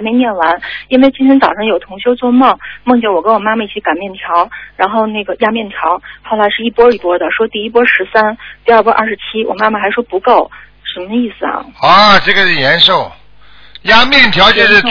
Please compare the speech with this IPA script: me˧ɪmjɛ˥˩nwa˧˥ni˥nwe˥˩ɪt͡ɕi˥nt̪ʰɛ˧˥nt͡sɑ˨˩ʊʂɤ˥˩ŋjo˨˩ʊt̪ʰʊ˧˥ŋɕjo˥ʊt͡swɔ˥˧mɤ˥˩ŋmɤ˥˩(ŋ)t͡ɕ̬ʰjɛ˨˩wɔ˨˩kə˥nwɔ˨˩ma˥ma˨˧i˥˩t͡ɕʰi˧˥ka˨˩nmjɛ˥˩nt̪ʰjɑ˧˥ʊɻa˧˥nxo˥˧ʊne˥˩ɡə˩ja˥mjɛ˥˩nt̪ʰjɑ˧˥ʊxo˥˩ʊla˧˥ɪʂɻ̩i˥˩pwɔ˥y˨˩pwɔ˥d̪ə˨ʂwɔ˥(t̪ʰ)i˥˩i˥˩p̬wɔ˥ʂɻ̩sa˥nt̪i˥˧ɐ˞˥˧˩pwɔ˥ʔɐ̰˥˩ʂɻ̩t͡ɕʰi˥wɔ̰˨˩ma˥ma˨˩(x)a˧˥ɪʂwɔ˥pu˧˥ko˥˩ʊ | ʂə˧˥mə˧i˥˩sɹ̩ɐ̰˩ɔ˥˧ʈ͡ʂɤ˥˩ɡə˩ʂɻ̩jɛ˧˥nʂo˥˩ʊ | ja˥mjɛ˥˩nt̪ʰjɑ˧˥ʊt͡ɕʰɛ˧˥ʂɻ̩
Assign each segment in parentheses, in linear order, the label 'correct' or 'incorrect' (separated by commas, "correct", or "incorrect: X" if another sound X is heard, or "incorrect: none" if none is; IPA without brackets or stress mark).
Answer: correct, incorrect: t̪, correct